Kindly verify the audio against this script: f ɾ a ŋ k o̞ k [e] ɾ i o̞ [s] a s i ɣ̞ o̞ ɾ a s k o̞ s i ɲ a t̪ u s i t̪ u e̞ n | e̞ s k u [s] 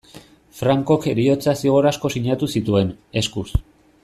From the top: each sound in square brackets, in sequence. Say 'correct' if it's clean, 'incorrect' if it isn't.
correct, incorrect: t͡s, correct

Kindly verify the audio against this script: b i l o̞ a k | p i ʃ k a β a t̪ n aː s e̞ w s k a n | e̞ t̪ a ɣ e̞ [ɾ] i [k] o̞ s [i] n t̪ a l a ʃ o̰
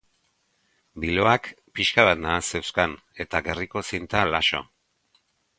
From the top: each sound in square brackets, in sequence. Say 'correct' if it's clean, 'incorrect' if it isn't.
incorrect: r, correct, correct

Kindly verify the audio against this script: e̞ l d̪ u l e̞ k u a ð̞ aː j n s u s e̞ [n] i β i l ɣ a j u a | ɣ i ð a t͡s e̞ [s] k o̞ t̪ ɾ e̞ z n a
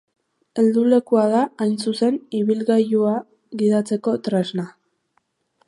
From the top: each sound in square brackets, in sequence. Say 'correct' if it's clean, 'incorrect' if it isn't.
correct, incorrect: none

